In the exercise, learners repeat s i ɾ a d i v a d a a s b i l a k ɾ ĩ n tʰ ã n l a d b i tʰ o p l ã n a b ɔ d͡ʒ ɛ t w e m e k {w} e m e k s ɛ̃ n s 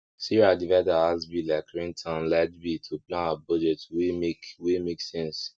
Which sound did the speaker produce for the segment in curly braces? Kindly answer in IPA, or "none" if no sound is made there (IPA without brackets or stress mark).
w